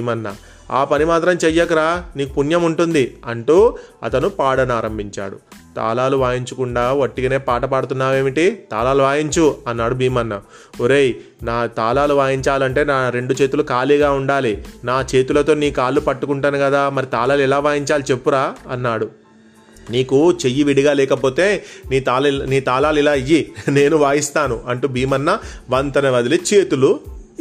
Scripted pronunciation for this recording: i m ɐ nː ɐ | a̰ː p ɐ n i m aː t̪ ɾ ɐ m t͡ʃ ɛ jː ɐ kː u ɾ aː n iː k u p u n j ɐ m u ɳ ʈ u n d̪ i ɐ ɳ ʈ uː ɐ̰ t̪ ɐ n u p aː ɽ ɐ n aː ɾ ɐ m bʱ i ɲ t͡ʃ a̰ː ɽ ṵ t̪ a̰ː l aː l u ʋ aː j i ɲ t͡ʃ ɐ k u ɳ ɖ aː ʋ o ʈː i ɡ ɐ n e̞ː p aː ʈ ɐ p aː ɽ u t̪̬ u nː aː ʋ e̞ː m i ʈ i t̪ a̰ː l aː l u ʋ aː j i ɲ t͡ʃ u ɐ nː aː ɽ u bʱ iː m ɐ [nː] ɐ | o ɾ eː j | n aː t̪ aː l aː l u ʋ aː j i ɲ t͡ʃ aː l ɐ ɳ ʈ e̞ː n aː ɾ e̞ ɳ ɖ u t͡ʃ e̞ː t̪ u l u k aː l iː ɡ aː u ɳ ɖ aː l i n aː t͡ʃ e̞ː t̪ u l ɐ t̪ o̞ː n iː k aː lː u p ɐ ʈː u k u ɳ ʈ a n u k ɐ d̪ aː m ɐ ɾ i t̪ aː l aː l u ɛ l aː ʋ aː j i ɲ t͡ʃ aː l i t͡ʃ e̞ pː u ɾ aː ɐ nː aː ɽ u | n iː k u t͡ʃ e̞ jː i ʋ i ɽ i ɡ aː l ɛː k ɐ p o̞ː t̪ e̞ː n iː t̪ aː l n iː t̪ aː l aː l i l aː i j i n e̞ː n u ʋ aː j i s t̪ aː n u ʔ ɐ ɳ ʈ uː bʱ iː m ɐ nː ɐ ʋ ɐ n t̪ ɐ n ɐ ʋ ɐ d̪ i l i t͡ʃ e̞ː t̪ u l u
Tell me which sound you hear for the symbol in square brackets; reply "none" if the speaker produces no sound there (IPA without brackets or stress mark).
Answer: nː